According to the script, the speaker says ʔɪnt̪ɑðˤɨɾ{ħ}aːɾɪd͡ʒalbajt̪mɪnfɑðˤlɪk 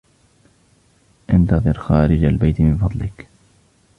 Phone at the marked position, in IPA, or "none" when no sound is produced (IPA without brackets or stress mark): x